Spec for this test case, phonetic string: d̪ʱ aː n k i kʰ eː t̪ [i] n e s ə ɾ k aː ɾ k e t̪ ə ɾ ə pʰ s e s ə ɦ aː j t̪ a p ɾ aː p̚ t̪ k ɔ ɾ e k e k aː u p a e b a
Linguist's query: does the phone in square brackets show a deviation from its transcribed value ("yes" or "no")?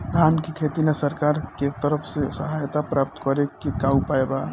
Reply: no